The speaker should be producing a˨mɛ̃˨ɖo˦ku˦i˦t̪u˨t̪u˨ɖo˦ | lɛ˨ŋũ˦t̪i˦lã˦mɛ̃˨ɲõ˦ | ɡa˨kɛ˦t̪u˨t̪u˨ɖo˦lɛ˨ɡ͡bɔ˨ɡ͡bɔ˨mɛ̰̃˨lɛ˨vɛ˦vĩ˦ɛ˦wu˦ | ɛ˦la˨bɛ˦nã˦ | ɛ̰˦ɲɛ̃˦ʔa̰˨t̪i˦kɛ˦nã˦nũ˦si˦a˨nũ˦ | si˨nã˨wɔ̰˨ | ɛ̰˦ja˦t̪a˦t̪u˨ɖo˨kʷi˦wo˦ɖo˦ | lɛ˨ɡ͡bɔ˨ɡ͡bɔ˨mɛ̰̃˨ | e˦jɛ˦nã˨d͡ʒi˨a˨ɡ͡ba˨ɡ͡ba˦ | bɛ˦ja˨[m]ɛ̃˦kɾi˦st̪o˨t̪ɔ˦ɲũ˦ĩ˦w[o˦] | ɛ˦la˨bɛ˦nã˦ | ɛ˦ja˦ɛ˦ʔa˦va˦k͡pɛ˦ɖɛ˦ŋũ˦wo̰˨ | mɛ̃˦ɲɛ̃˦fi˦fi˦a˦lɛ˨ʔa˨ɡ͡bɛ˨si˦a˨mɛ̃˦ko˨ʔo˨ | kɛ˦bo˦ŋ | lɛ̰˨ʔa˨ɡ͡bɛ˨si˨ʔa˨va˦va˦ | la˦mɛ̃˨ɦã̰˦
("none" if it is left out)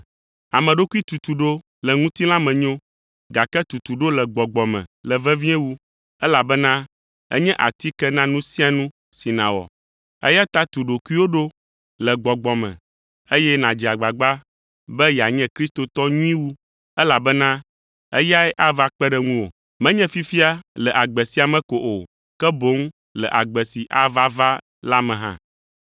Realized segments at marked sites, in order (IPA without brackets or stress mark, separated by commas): ɲ, u˦